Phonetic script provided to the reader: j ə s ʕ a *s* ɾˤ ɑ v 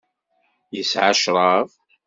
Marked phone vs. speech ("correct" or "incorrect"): incorrect